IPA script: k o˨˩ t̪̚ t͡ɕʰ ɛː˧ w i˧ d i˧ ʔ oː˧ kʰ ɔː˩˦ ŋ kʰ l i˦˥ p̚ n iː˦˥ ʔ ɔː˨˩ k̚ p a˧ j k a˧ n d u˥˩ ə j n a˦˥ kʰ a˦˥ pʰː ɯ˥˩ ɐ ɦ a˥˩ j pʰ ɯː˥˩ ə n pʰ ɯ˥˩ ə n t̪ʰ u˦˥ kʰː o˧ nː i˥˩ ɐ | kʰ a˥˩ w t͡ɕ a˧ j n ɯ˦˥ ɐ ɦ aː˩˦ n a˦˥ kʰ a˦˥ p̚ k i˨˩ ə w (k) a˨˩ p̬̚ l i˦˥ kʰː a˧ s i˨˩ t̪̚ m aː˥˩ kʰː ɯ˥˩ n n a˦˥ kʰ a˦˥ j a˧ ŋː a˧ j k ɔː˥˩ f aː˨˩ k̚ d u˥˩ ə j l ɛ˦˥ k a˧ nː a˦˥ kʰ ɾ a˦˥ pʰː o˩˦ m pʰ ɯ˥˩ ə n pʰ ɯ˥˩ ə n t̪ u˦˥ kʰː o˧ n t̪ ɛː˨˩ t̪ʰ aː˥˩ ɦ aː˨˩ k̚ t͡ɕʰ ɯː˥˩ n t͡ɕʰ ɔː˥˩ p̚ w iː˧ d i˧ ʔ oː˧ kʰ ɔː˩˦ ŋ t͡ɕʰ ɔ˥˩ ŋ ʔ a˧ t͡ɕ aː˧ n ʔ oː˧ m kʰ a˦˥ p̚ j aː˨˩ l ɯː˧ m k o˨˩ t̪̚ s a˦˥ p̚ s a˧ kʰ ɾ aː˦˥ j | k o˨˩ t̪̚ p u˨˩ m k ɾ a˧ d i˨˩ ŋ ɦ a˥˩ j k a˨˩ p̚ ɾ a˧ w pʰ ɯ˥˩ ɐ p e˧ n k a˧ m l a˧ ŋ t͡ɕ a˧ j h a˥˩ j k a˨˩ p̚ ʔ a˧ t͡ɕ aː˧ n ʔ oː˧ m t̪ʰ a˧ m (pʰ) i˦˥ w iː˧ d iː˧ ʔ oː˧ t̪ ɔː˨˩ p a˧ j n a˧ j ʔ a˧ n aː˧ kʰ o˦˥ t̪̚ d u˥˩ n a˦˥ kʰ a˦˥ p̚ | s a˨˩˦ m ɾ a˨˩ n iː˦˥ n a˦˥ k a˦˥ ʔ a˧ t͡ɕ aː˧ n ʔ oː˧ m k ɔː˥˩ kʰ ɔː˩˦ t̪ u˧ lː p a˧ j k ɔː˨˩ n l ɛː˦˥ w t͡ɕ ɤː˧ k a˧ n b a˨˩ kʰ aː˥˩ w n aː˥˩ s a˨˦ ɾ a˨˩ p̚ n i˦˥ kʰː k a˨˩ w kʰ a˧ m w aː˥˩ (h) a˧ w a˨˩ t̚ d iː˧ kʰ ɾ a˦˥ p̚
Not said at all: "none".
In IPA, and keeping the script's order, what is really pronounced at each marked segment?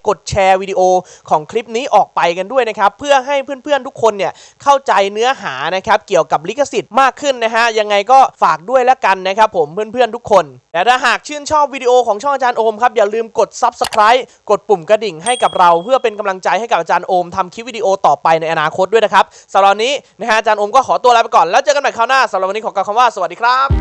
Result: k, kʰ, s

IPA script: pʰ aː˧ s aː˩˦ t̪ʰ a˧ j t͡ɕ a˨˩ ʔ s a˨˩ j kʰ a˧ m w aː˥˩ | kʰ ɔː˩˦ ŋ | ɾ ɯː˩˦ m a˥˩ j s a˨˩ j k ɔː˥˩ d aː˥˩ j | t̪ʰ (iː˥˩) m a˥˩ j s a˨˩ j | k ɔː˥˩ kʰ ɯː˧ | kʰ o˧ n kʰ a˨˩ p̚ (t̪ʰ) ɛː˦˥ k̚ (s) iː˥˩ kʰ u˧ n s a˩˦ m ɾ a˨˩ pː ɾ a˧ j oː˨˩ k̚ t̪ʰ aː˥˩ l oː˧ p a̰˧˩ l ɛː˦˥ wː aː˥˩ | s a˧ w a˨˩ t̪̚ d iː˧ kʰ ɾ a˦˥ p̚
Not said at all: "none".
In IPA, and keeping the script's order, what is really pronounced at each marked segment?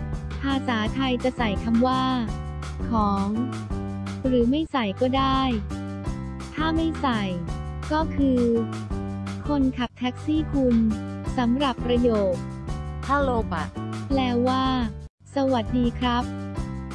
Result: aː˥˩, t̪ʰ, s

